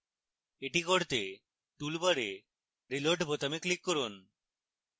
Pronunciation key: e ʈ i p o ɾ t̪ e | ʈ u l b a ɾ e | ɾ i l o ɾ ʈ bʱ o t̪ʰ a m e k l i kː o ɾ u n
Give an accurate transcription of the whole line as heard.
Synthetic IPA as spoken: e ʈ i k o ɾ t̪ e | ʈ u l b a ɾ e | ɾ i l o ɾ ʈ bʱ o t̪ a m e k l i kː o ɾ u n

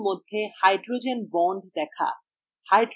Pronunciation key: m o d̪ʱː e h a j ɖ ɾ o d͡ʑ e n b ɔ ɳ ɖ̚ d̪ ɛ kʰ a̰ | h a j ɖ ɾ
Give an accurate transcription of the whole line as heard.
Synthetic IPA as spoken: m o d̪ʱː e h a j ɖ ɾ o d͡ʑ e n b ɔ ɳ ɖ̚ d̪ ɛ kʰ a̰ | h a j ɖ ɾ

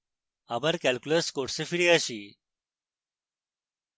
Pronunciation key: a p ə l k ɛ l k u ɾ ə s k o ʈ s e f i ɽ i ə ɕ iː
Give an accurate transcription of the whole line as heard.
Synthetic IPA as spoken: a b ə ɾ k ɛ l k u l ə s k o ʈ s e f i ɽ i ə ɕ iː

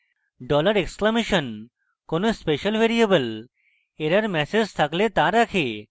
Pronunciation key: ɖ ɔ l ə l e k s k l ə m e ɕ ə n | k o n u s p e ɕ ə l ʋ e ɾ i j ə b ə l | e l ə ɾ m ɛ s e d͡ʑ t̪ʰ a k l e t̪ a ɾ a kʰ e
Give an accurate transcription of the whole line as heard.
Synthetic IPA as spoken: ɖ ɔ l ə ɾ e k s k l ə m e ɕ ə n | k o n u s p e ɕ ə l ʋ e ɾ i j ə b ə l | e ɾ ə ɾ m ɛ s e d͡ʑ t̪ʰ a k l e t̪ a ɾ a kʰ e

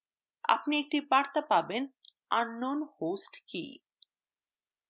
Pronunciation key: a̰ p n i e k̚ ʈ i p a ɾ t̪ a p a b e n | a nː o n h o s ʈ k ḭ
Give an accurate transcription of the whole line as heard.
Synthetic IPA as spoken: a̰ p n i e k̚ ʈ i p a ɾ t̪ a p a b e n | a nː o n h o s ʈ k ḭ

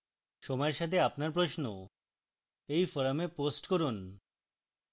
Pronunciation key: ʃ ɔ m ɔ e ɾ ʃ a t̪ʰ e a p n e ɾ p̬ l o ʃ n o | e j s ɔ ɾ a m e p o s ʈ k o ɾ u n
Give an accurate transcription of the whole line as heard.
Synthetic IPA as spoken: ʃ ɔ m ɔ e ɾ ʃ a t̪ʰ e a p n a ɾ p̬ ɾ o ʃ n o | e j f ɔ ɾ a m e p o s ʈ k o ɾ u n

